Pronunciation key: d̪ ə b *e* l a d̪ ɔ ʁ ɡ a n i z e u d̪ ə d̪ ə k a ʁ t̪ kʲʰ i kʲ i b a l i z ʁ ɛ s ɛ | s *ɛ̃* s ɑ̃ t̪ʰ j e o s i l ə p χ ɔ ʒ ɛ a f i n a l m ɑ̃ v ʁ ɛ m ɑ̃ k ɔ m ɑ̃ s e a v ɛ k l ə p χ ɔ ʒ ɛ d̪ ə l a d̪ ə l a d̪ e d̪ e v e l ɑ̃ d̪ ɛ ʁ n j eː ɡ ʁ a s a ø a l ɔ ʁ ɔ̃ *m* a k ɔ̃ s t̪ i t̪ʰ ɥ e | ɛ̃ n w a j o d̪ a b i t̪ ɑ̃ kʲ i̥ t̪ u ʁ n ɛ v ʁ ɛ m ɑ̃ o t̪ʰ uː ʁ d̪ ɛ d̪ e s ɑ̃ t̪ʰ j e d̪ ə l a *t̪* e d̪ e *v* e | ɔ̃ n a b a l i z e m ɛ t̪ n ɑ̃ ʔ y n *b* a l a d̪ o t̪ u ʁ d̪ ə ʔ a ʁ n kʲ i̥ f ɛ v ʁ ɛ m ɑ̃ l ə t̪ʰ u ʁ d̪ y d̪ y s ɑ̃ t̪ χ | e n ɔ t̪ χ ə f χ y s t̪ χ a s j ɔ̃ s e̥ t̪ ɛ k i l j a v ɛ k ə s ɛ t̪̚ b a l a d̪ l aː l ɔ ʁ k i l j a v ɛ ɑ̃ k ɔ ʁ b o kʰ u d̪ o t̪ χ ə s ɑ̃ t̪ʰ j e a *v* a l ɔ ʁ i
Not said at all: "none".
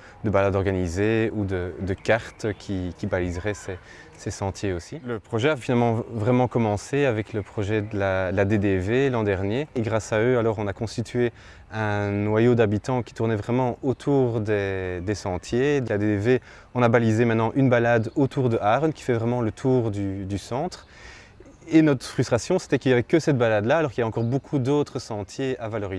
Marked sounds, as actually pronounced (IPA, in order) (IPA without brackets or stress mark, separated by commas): a, ɛ, n, d̪, v, b, v